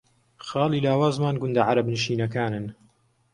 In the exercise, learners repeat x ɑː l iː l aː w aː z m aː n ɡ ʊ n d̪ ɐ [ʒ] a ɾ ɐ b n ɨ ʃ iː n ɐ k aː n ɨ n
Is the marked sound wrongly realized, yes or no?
yes